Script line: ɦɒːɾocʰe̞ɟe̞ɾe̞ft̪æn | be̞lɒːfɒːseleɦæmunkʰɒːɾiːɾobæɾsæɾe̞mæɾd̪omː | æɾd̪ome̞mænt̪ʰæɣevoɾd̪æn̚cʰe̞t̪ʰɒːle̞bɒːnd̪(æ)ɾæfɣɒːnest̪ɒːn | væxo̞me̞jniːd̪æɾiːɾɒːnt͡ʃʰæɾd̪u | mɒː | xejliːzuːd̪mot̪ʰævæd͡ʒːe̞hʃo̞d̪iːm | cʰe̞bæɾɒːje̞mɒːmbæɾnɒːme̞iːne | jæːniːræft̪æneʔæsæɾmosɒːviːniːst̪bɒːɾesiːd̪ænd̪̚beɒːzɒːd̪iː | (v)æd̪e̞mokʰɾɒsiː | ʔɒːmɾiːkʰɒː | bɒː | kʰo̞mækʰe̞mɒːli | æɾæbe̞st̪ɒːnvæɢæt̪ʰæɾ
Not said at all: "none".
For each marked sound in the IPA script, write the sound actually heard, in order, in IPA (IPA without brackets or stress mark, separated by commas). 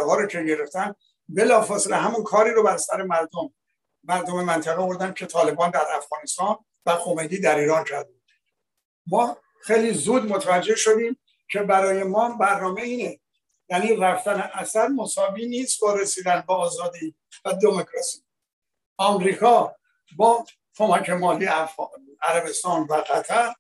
æ, v